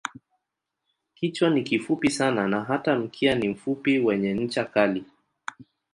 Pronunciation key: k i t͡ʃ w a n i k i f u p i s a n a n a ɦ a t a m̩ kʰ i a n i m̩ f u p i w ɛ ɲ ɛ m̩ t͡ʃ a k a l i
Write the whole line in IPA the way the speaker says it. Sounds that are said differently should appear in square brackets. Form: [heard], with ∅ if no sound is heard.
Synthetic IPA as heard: k i t͡ʃ w a n i k i f u p i s a n a n a ɦ a t a m̩ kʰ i a n i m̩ f u p i w ɛ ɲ ɛ [ɲ̩] t͡ʃ a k a l i